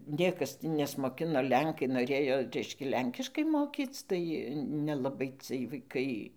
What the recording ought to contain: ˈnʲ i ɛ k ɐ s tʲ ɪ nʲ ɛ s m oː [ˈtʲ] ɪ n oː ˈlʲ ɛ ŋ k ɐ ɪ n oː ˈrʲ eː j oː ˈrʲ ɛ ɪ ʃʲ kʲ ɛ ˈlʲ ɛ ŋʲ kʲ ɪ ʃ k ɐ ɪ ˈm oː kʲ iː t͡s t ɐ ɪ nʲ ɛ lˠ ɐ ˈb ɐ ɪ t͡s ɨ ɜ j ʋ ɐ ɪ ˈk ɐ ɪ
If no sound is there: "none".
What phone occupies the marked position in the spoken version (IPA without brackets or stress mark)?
kʲ